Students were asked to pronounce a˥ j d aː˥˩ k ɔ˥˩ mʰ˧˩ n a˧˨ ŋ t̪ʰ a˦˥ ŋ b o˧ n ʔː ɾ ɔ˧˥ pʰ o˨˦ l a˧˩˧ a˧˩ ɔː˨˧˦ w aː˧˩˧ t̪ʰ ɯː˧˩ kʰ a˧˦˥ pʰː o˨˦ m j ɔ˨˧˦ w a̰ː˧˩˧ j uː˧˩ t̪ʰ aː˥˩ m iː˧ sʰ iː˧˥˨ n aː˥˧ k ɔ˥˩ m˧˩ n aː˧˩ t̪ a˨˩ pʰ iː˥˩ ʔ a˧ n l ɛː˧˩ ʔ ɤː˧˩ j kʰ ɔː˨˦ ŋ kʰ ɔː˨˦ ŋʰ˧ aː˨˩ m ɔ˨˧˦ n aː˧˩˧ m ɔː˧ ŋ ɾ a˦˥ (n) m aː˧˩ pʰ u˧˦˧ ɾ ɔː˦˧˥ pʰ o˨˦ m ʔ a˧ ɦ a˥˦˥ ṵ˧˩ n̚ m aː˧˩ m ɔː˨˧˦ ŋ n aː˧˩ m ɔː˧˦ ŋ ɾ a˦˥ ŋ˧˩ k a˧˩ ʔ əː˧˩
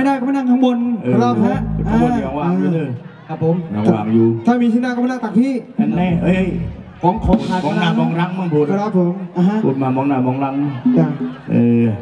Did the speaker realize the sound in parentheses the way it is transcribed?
no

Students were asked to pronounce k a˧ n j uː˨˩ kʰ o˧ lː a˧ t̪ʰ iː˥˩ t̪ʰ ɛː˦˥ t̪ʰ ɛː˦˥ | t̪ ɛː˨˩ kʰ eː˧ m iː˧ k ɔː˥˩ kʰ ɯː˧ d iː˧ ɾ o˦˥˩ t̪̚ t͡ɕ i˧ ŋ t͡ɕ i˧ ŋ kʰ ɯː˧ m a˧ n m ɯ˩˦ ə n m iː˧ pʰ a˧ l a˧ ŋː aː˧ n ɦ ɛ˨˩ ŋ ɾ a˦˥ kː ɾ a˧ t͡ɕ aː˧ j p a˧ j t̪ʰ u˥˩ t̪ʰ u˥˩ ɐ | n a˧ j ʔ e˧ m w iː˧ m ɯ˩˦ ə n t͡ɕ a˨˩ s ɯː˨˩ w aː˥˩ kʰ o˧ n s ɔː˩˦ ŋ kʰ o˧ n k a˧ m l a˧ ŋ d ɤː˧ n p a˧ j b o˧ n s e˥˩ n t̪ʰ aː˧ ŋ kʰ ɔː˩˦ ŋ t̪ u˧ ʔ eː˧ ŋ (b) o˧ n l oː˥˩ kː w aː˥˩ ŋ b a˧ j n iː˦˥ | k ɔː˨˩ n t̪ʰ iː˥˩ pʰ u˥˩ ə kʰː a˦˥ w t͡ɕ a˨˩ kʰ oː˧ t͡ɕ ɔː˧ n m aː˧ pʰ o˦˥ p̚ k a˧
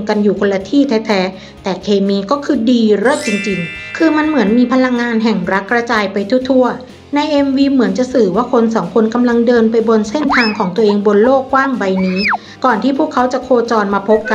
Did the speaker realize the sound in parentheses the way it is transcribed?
yes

